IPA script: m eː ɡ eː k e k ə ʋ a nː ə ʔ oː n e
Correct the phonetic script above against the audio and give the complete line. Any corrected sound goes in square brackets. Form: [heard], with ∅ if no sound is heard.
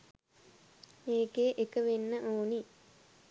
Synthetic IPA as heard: m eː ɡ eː [ʔ] e k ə ʋ [e] nː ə ʔ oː n [i]

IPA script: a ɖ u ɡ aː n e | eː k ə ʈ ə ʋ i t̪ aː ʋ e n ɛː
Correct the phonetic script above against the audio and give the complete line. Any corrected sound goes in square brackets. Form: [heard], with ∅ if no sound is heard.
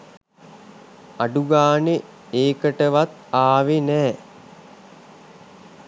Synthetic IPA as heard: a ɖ u ɡ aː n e | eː k ə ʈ ə ʋ [a] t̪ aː ʋ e n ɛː

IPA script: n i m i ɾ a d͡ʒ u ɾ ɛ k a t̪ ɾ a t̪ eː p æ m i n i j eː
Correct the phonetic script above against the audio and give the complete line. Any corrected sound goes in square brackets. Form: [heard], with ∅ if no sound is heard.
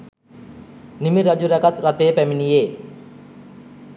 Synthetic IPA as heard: n i m i ɾ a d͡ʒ u ɾ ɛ k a t̪ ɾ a t̪ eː p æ m i n i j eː

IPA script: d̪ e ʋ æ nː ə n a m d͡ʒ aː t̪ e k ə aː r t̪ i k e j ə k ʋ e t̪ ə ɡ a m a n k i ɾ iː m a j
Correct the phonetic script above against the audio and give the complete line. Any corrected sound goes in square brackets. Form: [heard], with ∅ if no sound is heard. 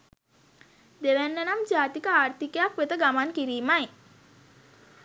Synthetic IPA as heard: d̪ e ʋ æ nː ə n a m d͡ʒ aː t̪ [i] k ə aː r t̪ i k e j [a] k ʋ e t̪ ə ɡ a m a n k i ɾ iː m a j

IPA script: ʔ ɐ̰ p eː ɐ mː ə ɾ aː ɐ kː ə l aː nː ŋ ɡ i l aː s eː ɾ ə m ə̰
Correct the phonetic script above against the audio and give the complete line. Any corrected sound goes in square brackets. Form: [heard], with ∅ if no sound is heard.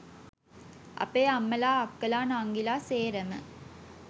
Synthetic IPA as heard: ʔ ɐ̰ p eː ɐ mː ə [l] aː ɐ kː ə l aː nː ŋ ɡ i l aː s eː ɾ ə m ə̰

